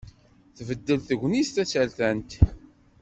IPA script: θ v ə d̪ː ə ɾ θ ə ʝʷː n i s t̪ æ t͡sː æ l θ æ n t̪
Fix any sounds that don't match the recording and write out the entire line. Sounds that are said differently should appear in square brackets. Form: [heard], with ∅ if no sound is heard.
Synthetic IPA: θ v ə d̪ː ə [l] θ ə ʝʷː n i s t̪ æ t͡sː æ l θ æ n t̪